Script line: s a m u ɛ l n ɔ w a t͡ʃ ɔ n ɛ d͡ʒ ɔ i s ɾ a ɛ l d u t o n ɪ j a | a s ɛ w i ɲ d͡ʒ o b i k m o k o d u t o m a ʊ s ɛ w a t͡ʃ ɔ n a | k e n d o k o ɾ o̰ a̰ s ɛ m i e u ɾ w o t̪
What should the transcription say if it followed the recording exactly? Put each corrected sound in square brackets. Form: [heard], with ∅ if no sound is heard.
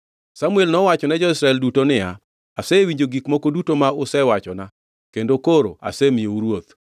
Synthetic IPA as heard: s a m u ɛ l n ɔ w a t͡ʃ ɔ n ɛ d͡ʒ ɔ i s ɾ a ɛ l d u t o n ɪ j a | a s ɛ w i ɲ d͡ʒ o [ɡ] i k m o k o d u t o m a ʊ s ɛ w a t͡ʃ ɔ n a | k e n d o k o ɾ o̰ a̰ s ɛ m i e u ɾ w o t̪